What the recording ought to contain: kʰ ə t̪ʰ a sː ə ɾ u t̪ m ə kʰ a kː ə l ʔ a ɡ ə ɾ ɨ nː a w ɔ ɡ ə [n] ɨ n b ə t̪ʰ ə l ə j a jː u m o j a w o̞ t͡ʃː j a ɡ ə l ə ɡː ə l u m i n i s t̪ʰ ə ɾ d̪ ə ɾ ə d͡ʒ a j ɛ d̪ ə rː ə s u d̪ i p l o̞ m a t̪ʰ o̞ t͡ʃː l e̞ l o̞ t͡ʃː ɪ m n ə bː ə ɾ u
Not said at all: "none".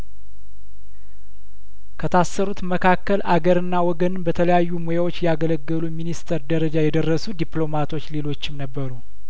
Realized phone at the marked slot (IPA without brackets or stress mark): n